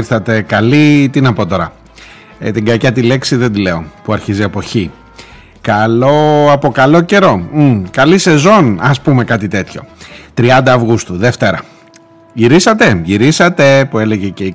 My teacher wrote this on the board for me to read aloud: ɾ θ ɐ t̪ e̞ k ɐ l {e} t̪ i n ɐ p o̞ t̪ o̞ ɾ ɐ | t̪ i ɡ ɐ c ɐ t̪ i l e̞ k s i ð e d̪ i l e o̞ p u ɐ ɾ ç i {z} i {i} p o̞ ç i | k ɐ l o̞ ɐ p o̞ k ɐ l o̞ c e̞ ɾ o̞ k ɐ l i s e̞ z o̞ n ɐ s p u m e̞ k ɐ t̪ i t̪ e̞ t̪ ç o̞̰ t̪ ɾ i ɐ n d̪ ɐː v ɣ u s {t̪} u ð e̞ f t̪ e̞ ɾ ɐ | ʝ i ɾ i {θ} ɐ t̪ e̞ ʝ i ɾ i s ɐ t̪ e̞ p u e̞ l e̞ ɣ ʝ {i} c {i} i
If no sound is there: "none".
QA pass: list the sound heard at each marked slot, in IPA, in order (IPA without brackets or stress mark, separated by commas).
i, z, e, t̪, s, e, e